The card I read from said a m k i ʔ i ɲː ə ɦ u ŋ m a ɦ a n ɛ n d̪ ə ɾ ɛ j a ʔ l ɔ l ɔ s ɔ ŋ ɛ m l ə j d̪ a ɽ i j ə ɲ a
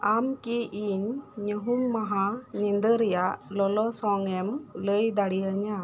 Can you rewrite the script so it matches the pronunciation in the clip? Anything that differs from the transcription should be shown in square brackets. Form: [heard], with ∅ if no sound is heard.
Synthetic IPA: a m k i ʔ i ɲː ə ɦ u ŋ m a ɦ a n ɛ n d̪ ə ɾ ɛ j a ʔ l ɔ l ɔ s ɔ ŋ ɛ m l ə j d̪ a ɽ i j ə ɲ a